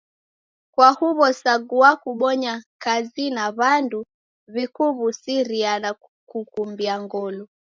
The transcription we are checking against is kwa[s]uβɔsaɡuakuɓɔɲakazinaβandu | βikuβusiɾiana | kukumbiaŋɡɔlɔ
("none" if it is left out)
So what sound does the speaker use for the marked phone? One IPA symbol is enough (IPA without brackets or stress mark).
h